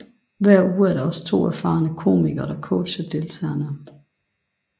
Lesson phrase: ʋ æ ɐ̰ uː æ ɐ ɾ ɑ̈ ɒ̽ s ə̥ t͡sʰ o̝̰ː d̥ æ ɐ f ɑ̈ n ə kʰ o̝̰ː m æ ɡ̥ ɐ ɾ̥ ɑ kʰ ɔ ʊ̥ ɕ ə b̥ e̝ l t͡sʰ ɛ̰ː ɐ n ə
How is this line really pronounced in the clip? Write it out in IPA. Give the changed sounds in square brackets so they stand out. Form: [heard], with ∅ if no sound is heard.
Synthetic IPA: ʋ æ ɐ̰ uː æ ɐ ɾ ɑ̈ ɒ̽ s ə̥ t͡sʰ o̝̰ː [∅] æ ɐ f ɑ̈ n ə kʰ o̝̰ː m [i] ɡ̥ ɐ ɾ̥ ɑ kʰ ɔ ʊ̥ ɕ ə [d̥] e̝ l t͡sʰ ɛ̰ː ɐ n ə